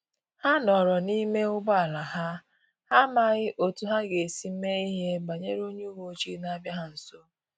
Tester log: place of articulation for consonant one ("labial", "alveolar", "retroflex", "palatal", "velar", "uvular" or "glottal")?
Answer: glottal